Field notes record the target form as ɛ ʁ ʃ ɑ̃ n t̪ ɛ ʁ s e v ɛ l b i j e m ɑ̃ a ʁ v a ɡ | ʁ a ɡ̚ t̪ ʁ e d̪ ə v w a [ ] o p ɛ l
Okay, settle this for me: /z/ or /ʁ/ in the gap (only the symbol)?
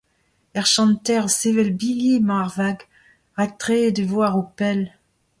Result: ʁ